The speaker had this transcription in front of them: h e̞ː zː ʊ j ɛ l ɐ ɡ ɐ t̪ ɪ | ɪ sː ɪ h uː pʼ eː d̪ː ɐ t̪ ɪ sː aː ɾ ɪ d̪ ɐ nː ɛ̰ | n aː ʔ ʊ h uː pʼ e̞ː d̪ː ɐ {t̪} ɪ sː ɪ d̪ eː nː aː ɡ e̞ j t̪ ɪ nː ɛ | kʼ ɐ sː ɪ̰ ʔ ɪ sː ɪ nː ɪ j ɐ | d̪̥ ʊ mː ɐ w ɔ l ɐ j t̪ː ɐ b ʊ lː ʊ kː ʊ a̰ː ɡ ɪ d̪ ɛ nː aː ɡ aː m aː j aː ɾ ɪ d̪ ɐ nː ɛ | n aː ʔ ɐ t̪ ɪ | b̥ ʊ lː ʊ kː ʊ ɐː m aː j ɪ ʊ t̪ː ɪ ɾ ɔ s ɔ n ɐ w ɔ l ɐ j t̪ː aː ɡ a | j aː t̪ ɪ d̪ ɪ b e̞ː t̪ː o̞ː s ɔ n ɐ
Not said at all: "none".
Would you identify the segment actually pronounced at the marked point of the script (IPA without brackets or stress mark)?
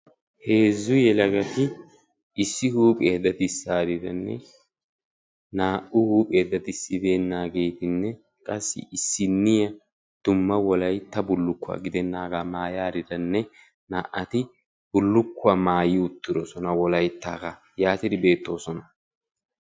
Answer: t̪